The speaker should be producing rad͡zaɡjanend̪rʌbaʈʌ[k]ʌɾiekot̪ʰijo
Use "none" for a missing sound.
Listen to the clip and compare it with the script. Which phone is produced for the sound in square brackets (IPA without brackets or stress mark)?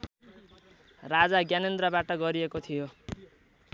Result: ɡ